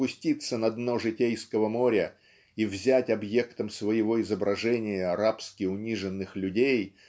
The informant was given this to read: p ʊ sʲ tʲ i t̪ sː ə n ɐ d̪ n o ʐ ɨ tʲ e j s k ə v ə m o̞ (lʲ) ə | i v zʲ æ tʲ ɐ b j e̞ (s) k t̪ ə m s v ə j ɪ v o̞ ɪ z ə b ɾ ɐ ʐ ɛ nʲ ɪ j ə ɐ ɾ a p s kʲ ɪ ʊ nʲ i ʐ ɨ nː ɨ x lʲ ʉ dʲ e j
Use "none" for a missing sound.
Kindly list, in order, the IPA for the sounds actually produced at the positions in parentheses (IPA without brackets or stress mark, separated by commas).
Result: ɾʲ, none